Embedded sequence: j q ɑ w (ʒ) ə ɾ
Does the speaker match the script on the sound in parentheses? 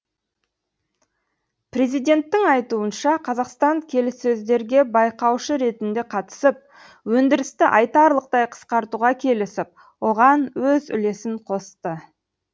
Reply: no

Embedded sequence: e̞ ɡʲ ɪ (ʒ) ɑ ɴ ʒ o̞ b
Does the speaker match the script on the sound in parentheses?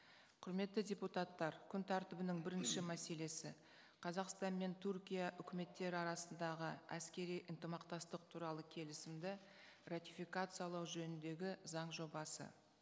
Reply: no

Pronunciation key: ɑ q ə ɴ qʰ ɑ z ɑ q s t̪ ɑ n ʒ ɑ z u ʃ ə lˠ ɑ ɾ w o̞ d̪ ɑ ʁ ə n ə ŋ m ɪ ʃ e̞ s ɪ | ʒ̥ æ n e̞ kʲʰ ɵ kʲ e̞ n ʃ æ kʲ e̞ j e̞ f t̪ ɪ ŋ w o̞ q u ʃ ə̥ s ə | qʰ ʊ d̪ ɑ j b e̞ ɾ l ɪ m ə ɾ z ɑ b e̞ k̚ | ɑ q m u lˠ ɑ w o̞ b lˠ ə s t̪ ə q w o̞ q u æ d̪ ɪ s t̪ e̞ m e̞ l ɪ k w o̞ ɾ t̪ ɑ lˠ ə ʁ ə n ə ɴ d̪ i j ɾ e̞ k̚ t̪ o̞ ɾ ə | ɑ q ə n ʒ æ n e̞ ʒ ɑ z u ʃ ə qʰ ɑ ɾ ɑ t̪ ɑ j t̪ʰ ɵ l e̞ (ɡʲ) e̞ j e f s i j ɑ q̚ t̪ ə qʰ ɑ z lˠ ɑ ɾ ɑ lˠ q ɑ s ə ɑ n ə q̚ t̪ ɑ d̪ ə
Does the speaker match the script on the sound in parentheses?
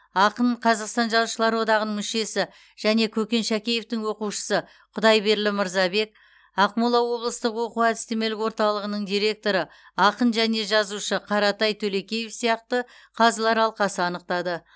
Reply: no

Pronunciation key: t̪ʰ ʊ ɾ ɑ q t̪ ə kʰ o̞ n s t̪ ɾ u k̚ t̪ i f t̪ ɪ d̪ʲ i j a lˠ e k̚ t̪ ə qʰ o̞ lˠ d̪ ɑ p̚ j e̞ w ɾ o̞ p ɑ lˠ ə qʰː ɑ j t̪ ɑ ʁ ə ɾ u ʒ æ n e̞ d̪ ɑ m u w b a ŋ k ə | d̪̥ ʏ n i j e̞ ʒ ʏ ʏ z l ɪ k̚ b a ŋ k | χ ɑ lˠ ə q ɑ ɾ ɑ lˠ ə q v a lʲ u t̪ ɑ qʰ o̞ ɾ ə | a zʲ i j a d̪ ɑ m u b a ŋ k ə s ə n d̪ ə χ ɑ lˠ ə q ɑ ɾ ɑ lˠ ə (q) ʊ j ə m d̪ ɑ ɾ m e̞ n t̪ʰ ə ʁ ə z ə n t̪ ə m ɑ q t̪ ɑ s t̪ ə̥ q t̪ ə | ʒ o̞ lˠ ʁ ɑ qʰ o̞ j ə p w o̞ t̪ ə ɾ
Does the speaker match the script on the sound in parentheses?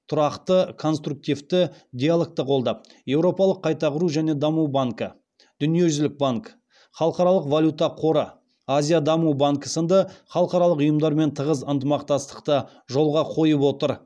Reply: yes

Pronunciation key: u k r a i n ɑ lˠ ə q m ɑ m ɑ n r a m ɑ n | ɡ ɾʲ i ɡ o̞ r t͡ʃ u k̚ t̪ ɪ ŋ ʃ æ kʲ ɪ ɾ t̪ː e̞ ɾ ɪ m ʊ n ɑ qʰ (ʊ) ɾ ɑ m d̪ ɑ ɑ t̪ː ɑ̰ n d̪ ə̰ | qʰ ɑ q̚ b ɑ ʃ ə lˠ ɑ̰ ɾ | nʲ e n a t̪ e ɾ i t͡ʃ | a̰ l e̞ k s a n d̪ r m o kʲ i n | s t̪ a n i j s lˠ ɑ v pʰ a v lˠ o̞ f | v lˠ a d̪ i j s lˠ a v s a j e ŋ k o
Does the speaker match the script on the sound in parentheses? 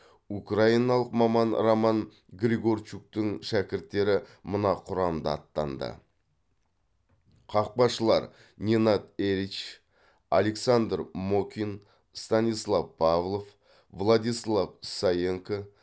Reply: yes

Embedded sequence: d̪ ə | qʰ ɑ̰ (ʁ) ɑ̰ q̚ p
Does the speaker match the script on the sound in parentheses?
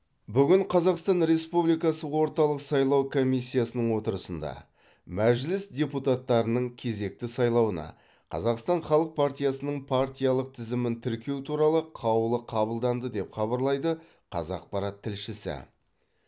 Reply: no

